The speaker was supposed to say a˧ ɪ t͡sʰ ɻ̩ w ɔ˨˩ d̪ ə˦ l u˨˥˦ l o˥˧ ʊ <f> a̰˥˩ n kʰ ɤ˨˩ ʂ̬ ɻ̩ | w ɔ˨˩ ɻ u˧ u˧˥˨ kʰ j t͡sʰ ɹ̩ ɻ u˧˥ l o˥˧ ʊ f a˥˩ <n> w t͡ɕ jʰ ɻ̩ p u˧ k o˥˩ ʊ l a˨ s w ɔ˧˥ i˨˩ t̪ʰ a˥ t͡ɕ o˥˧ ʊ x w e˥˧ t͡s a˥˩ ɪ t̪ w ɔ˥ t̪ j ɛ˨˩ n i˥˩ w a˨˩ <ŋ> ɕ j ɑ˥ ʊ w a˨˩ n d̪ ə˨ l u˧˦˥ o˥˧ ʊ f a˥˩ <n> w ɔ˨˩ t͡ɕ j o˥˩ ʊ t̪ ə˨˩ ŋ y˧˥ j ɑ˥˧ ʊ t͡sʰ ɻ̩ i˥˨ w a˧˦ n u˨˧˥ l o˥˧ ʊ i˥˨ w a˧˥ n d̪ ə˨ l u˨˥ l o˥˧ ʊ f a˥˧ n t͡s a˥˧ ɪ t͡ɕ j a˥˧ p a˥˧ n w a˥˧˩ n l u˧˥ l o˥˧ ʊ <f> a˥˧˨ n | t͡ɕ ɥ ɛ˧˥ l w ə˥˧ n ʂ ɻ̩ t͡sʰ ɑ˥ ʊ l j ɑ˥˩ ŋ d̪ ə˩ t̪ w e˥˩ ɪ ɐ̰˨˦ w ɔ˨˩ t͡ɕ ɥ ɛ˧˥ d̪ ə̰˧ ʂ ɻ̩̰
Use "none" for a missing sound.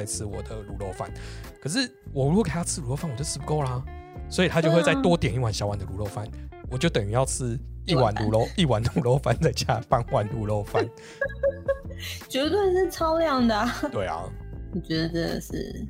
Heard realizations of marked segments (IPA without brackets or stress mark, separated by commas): f, n, n, n, f